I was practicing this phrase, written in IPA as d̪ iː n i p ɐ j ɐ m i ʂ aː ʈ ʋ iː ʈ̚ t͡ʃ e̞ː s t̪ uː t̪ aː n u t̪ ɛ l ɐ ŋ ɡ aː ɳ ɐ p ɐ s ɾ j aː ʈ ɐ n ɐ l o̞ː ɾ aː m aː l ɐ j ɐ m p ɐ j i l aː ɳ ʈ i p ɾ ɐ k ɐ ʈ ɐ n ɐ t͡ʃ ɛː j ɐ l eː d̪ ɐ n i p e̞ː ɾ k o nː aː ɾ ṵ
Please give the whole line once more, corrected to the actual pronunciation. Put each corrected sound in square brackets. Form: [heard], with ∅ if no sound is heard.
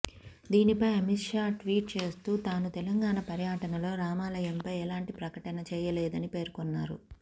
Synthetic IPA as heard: d̪ iː n i p ɐ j ɐ m i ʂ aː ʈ ʋ iː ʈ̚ t͡ʃ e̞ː s t̪ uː t̪ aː n u t̪ ɛ l ɐ ŋ ɡ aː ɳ ɐ p ɐ [∅] ɾ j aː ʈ ɐ n ɐ l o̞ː ɾ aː m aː l ɐ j ɐ m p ɐ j [ɛ] l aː ɳ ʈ i p ɾ ɐ k ɐ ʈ ɐ n ɐ t͡ʃ ɛː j ɐ l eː d̪ ɐ n i p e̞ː ɾ k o nː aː ɾ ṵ

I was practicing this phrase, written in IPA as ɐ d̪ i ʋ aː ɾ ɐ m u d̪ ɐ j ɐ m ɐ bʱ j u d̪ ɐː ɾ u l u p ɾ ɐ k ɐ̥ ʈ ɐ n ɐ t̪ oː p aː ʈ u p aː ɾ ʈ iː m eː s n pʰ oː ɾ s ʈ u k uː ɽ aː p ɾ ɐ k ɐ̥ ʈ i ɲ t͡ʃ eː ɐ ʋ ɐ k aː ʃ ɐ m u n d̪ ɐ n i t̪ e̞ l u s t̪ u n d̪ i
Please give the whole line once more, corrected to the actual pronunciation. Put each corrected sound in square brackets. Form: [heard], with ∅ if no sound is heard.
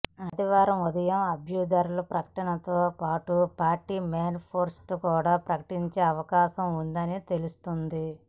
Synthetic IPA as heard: ɐ d̪ i ʋ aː ɾ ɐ m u d̪ ɐ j ɐ m ɐ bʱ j u d̪ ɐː ɾ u l u p ɾ ɐ k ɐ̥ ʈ ɐ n ɐ t̪ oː p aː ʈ u p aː ɾ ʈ iː m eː [∅] n pʰ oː ɾ s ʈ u k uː ɽ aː p ɾ ɐ k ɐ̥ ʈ i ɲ t͡ʃ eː ɐ ʋ ɐ k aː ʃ ɐ m u n d̪ ɐ n i t̪ e̞ l u s t̪ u n d̪ i

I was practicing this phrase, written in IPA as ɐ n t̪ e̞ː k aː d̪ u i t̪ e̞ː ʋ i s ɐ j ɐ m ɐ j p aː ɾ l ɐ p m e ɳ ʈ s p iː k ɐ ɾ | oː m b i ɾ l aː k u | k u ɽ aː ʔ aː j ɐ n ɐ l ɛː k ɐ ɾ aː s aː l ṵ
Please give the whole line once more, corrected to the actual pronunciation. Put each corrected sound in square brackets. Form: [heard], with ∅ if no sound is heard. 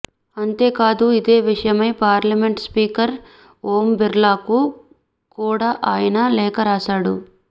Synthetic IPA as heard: ɐ n t̪ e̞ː k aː d̪ u i [d̪] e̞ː ʋ i [ʂ] ɐ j ɐ m ɐ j p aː ɾ l ɐ [∅] m e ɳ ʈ s p iː k ɐ ɾ | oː m b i ɾ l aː k u | k [uː] ɽ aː ʔ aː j ɐ n ɐ l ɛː k ɐ ɾ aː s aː [ɽ] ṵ

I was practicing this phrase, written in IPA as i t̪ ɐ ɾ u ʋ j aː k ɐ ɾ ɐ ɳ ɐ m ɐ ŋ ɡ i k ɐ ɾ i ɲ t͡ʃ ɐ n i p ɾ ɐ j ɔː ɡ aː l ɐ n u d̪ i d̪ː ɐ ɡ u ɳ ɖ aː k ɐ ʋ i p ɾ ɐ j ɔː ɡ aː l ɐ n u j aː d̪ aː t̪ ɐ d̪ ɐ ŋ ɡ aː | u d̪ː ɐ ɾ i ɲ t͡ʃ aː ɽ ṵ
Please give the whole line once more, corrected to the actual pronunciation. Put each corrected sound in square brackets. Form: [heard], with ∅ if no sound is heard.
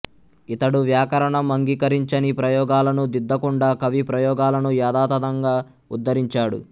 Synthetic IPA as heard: i t̪ ɐ [ɽ] u ʋ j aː k ɐ ɾ ɐ ɳ ɐ m ɐ ŋ ɡ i k ɐ ɾ i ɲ t͡ʃ ɐ n i p ɾ ɐ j ɔː ɡ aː l ɐ n u d̪ i d̪ː ɐ [k] u ɳ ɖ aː k ɐ ʋ i p ɾ ɐ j ɔː ɡ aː l ɐ n u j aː d̪ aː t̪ ɐ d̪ ɐ ŋ ɡ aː | u d̪ː ɐ ɾ i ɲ t͡ʃ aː ɽ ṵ

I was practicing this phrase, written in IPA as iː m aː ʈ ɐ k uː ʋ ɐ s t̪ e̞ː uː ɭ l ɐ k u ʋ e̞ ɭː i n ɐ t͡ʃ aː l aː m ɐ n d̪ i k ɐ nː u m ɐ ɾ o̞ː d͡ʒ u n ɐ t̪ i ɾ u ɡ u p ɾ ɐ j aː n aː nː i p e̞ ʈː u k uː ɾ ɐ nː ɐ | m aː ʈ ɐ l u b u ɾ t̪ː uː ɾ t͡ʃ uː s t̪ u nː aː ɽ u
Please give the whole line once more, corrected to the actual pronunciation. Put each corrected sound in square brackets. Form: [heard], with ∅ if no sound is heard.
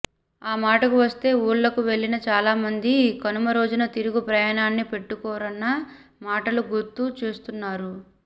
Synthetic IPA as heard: [aː] m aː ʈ ɐ k [u] ʋ ɐ s t̪ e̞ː uː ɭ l ɐ k u ʋ e̞ ɭː i n ɐ t͡ʃ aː l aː m ɐ n d̪ i k ɐ [n] u m ɐ ɾ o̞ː d͡ʒ u n ɐ t̪ i ɾ u ɡ u p ɾ ɐ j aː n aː nː i p e̞ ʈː u k [ɔː] ɾ ɐ nː ɐ | m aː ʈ ɐ l u [ɡ] u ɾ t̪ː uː [∅] t͡ʃ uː s t̪ u nː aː [ɾ] u

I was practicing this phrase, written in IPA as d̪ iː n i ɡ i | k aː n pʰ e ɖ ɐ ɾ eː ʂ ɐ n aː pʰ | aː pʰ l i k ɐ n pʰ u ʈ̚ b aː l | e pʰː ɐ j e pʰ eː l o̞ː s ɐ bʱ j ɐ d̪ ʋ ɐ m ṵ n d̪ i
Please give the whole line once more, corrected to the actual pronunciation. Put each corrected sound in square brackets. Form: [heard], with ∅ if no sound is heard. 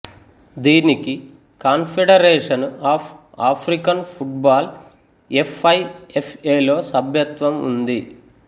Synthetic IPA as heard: d̪ iː n i [k] i | k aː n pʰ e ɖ ɐ ɾ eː ʂ ɐ n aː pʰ | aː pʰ [ɾ] i k ɐ n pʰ u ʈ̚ b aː l | e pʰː ɐ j e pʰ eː l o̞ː s ɐ bʱ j ɐ [t̪] ʋ ɐ m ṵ n d̪ i

